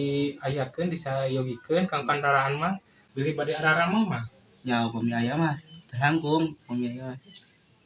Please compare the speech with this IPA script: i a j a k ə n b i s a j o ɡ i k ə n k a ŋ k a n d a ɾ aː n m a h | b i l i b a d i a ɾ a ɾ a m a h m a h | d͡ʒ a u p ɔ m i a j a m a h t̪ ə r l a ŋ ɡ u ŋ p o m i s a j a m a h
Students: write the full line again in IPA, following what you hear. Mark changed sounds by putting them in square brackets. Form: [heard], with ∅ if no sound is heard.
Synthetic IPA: i a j a k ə n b i s a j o ɡ i k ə n k a ŋ k a n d a ɾ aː n m a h | b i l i b a d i a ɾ a ɾ a m a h m a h | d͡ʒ a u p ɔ m i a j a m a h t̪ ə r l a ŋ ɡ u ŋ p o m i [∅] a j a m a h